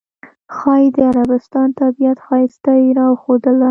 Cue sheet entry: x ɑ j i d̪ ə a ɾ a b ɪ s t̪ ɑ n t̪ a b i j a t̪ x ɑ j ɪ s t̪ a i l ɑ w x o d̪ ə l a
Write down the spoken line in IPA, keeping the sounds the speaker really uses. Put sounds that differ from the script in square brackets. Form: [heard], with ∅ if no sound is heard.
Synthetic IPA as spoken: x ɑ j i d̪ ə a ɾ a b ɪ s t̪ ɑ n t̪ a b i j a t̪ x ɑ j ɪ s t̪ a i [ɾ] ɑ w x o d̪ ə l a